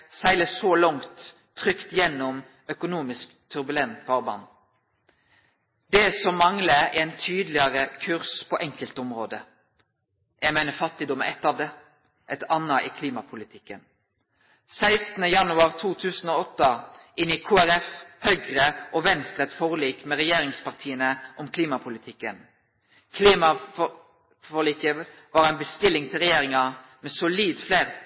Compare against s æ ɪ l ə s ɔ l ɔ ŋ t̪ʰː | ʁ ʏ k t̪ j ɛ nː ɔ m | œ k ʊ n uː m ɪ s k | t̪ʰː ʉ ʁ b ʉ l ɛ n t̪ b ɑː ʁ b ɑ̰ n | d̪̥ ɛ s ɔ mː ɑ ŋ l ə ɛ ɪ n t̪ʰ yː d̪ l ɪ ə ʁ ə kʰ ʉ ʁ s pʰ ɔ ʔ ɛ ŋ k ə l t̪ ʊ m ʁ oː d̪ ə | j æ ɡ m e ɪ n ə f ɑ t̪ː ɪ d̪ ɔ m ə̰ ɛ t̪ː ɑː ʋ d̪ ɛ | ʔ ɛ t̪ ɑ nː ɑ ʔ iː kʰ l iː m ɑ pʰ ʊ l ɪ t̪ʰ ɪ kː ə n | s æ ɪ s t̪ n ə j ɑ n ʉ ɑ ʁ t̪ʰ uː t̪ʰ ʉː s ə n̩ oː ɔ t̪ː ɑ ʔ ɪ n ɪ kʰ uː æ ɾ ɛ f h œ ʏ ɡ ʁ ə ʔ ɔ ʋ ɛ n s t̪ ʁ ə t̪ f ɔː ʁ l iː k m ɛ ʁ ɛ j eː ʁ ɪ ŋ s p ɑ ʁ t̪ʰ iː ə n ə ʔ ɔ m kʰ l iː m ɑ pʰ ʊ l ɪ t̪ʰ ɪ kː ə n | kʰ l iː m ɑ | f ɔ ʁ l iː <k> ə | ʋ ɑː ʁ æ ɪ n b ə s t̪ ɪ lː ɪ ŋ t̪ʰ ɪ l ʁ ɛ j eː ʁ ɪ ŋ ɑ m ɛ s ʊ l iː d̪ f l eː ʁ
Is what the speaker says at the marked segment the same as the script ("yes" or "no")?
yes